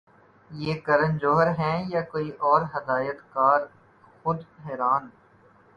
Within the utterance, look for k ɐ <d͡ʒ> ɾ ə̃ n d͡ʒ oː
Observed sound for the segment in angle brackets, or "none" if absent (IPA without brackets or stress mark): none